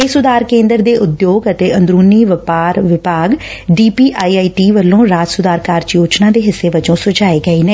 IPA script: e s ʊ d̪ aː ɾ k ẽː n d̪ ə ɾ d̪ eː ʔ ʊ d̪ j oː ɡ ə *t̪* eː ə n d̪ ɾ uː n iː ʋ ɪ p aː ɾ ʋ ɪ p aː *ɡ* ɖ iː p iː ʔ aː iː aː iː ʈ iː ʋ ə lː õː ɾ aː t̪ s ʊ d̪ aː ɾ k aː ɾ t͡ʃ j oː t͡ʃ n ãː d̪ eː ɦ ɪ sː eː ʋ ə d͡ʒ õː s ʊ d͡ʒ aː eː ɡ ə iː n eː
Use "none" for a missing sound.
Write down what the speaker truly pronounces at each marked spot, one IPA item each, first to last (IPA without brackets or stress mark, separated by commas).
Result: t̪, ɡ